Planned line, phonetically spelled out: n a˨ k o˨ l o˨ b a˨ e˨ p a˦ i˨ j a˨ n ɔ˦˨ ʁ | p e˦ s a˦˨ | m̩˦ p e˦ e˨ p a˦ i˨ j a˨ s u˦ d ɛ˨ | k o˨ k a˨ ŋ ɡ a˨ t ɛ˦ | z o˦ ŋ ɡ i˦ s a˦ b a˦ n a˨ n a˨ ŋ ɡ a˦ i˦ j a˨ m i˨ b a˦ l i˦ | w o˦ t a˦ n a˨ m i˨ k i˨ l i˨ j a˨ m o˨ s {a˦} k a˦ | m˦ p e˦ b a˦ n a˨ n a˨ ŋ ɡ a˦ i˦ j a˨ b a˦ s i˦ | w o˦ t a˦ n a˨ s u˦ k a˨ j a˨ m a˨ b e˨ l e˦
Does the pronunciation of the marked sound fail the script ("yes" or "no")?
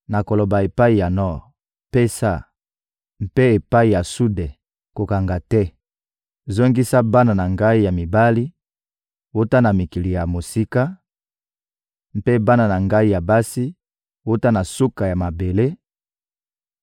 yes